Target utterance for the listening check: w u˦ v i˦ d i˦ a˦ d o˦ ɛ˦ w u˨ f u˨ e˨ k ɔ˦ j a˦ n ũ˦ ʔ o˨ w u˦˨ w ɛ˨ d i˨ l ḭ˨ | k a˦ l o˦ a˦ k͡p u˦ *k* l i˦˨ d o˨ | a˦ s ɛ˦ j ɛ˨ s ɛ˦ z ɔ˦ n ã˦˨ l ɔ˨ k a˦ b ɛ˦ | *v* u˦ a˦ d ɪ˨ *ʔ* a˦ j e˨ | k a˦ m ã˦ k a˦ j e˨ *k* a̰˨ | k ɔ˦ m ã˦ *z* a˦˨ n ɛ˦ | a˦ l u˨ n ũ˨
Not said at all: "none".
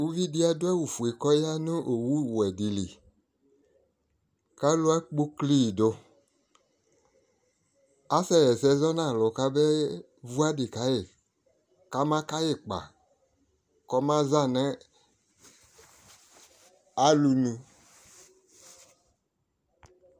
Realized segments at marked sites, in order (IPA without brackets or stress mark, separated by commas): k, v, k, k͡p, z